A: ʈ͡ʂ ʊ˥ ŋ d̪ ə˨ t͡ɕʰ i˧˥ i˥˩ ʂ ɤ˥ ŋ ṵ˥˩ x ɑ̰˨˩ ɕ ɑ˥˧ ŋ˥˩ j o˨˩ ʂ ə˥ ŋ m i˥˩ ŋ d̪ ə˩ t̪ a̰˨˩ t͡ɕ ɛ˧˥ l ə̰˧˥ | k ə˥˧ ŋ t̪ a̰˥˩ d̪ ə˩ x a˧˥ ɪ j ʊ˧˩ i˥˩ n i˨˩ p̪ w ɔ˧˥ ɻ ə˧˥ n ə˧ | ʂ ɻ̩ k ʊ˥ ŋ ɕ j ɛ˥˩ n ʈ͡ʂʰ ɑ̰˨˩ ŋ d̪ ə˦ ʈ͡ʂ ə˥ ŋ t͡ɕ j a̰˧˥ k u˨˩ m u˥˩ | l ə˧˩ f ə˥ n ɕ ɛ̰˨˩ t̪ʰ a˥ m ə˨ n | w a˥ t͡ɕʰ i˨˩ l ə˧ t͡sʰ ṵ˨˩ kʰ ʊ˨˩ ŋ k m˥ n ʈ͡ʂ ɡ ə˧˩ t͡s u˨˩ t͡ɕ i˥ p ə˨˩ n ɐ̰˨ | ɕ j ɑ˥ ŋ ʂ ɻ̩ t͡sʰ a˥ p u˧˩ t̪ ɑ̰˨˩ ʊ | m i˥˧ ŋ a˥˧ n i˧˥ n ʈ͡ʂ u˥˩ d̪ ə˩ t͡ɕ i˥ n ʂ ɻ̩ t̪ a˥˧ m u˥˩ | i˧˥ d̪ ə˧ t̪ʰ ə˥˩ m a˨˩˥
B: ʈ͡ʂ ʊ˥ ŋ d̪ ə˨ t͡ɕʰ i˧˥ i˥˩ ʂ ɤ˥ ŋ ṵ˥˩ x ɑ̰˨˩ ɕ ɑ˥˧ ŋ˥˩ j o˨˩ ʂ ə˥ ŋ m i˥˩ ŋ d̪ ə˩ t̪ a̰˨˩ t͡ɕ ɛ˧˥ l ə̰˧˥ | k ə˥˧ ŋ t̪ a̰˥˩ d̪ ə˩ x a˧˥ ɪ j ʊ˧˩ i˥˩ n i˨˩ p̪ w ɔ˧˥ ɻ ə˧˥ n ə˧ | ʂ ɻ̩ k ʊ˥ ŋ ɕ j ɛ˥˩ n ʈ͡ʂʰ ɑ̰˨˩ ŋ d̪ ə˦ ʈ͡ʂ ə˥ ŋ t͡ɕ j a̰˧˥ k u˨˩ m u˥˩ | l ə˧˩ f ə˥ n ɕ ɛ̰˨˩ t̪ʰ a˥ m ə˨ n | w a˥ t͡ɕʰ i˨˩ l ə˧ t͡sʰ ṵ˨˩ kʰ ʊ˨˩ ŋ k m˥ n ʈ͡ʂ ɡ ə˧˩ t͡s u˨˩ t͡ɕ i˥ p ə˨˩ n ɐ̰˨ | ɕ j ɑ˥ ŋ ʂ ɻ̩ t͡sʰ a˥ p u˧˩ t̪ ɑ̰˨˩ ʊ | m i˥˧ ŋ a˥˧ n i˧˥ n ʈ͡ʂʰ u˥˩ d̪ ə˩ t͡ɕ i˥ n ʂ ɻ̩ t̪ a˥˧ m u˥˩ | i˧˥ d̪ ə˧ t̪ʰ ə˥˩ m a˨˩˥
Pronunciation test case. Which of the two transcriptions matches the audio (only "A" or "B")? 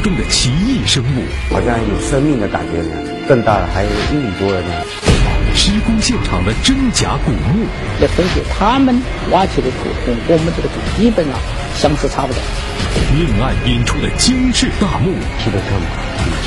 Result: B